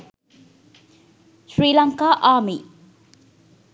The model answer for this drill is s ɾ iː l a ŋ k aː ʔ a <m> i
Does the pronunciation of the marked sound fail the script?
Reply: no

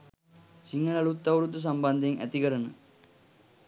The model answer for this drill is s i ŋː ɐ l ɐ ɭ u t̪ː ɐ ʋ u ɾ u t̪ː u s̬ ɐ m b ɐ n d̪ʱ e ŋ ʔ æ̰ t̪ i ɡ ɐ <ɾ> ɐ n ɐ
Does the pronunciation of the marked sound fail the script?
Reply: no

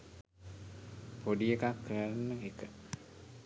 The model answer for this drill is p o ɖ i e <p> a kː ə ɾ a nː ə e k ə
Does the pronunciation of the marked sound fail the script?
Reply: yes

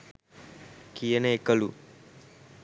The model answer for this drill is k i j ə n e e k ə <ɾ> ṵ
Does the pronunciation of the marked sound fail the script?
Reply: yes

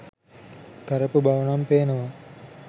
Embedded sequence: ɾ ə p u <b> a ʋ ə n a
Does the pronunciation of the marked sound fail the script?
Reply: no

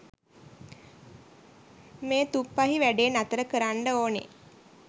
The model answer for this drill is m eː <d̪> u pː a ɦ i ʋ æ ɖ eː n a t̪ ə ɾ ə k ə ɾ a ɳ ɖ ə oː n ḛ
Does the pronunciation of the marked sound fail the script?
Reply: yes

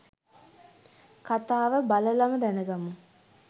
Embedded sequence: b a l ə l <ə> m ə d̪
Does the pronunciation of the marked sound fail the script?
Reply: yes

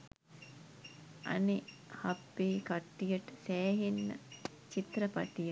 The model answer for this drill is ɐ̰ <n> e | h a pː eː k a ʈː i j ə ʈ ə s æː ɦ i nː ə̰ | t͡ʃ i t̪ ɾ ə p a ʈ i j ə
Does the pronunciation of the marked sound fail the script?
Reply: no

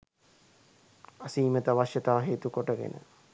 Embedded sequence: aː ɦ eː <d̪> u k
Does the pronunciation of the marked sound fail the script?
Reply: yes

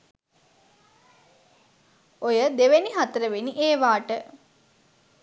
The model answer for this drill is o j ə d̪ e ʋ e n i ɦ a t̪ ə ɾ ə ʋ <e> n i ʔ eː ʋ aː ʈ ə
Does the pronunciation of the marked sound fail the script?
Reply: no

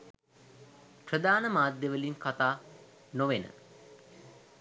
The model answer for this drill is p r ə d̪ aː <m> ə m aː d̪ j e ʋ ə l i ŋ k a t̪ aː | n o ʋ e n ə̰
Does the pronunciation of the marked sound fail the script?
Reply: yes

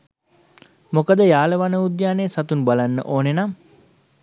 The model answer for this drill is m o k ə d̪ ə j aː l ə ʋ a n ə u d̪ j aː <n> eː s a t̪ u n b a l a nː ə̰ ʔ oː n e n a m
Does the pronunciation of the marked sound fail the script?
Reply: no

